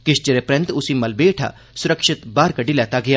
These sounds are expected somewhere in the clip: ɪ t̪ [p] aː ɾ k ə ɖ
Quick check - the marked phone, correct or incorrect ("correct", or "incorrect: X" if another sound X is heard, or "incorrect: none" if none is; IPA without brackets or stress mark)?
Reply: incorrect: b